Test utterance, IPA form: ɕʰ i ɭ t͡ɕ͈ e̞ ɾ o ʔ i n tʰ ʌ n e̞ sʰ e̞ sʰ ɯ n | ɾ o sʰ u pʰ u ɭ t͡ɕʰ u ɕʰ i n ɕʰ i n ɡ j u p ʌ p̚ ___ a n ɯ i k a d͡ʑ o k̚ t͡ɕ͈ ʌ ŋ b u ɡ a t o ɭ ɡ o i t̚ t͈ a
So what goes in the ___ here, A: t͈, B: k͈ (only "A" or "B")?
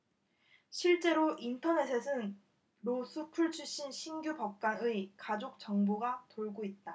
B